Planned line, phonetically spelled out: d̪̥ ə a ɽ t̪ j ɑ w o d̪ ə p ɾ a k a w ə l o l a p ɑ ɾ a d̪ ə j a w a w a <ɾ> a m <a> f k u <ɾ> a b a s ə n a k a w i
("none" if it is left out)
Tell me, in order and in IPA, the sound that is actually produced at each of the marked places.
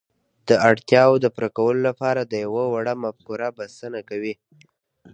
ɽ, a, ɾ

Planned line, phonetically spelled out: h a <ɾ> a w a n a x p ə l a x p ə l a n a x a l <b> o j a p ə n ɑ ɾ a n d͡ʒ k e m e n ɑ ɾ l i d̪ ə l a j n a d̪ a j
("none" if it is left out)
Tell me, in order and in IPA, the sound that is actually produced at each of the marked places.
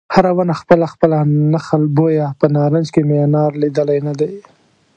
ɾ, b

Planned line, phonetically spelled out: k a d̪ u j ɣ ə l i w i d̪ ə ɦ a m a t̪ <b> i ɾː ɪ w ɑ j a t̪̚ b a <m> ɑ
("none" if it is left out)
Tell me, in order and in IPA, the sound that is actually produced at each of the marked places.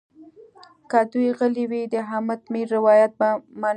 m, m

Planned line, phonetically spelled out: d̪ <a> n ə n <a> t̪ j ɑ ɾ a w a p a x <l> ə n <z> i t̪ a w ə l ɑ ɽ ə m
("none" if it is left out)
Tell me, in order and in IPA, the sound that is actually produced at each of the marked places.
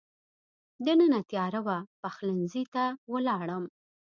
ə, a, l, z

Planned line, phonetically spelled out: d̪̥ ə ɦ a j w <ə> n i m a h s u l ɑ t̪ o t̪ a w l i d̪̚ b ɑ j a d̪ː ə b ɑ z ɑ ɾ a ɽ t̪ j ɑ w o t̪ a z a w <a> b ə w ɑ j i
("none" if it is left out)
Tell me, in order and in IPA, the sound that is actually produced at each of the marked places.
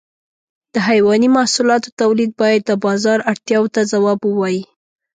ɑ, ɑ

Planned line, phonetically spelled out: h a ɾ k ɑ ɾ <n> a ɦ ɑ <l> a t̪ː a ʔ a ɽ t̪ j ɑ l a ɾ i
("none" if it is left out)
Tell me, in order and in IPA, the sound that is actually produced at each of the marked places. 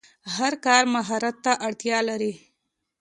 m, ɾ

